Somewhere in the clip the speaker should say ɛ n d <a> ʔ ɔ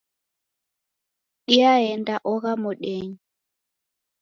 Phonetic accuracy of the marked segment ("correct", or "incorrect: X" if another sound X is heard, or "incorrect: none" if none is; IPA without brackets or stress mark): correct